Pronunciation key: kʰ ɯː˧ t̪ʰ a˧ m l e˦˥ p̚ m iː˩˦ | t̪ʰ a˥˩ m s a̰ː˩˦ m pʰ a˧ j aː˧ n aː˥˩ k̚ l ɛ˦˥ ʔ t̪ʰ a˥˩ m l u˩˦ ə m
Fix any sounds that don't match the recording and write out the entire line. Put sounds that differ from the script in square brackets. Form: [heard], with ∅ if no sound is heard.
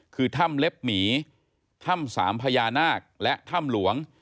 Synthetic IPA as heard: kʰ ɯː˧ t̪ʰ [a˥˩] m l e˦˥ p̚ m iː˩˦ | t̪ʰ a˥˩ m s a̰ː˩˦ m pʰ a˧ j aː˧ n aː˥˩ k̚ l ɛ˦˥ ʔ t̪ʰ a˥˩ m l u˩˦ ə [ŋ]